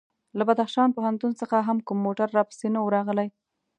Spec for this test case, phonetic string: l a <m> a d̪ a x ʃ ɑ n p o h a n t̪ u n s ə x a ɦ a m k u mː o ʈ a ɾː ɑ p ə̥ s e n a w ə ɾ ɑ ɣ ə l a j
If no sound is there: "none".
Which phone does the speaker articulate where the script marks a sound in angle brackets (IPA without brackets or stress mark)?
b